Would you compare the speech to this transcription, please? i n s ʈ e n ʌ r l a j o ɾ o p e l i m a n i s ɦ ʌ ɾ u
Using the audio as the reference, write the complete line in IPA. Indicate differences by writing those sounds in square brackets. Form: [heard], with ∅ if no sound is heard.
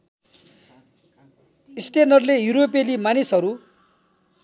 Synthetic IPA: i [∅] s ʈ e n ʌ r l [e] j [u] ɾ o p e l i m a n i s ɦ ʌ ɾ u